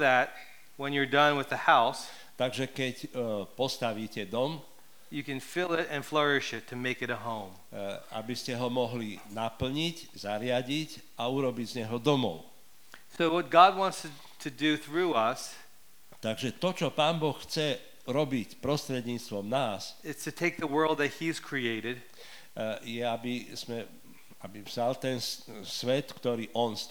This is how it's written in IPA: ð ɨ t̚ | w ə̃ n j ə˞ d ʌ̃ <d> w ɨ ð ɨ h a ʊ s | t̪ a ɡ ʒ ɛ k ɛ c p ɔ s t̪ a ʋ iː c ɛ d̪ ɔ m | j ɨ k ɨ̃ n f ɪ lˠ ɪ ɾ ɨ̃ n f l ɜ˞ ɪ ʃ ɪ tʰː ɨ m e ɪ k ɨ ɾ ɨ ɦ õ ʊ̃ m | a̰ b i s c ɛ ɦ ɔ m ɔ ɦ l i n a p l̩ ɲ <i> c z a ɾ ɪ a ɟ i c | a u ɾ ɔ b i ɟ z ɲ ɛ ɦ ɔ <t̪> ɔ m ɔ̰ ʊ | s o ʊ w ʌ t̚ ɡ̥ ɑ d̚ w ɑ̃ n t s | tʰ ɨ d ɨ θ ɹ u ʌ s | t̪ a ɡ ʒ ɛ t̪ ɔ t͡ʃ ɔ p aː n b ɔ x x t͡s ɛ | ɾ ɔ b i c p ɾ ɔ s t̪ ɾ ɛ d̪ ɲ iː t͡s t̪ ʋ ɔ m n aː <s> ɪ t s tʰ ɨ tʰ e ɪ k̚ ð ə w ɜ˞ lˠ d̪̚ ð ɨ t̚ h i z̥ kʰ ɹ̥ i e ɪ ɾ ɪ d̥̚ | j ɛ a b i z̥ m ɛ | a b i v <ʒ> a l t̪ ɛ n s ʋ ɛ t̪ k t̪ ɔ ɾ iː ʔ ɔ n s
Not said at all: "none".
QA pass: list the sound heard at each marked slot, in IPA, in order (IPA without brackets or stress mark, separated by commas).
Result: n, i, d̪, s, z